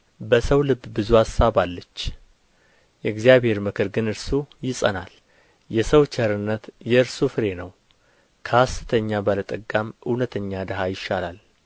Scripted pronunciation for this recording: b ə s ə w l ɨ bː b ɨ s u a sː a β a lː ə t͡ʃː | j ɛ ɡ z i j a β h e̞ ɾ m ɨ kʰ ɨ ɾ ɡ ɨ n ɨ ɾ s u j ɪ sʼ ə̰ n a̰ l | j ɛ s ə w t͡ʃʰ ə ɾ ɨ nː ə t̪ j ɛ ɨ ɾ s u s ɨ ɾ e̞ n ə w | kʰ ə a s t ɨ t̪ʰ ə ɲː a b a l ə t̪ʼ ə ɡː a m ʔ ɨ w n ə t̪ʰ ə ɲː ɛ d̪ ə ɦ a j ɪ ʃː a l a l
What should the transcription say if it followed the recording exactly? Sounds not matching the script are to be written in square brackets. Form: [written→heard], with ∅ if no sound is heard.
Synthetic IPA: b ə s ə w l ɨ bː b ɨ [s→z] u a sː a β a lː ə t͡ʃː | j ɛ ɡ z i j a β h e̞ ɾ m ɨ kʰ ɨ ɾ ɡ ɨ n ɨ ɾ s u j ɪ sʼ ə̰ n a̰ l | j ɛ s ə w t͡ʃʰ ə ɾ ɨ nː ə t̪ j ɛ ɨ ɾ s u [s→f] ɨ ɾ e̞ n ə w | kʰ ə a s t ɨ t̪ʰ ə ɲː a b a l ə t̪ʼ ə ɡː a m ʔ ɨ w n ə t̪ʰ ə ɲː [ɛ→a] d̪ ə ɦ a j ɪ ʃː a l a l